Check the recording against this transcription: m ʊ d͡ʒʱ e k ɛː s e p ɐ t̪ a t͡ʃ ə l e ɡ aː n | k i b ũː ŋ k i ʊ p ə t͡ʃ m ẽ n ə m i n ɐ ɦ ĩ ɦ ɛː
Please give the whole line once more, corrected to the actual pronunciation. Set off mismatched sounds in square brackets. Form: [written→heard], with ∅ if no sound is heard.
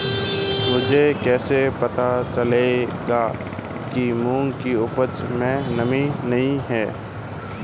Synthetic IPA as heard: m ʊ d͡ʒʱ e k ɛː s e p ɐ t̪ a t͡ʃ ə l e ɡ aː [n→∅] | k i [b→m] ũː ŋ k i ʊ p ə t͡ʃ m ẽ n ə m i n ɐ ɦ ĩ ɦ ɛː